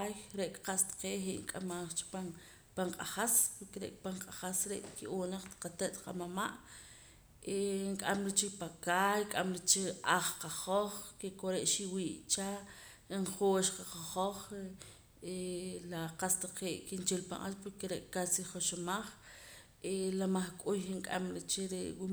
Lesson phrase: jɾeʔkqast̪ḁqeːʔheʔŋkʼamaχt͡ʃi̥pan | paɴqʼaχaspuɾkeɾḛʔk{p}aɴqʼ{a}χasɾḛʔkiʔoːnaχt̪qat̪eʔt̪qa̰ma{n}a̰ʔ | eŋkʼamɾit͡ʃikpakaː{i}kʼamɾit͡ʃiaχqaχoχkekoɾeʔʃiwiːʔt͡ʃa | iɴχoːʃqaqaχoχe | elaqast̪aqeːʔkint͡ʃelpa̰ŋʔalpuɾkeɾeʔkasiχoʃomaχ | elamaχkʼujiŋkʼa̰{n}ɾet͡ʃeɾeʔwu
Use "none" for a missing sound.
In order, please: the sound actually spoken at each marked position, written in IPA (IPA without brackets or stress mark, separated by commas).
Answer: p, a, m, j, m